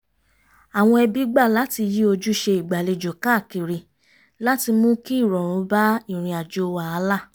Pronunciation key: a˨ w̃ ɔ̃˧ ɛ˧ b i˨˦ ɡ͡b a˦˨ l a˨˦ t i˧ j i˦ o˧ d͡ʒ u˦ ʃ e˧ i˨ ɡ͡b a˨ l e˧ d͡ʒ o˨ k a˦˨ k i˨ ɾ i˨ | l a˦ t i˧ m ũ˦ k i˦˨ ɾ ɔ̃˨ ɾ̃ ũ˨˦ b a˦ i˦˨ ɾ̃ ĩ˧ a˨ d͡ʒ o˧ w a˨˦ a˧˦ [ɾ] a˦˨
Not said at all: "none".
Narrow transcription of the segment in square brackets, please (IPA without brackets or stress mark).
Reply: l